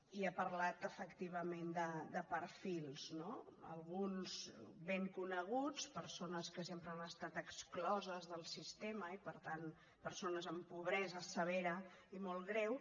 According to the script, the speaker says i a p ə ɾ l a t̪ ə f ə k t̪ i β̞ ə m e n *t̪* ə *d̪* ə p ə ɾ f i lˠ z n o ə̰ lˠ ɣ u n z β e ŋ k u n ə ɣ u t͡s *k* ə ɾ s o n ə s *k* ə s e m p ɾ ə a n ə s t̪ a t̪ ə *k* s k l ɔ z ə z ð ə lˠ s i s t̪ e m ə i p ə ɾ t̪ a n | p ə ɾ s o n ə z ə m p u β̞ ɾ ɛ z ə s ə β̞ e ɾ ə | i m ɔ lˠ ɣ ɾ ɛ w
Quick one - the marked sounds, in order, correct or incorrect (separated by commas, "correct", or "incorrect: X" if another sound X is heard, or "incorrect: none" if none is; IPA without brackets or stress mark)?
incorrect: d̪, correct, incorrect: p, correct, correct